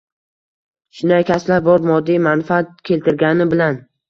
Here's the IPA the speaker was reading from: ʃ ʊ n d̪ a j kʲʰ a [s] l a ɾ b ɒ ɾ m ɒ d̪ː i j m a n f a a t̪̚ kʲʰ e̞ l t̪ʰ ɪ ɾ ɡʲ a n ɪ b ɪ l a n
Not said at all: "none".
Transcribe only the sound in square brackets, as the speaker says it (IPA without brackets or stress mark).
s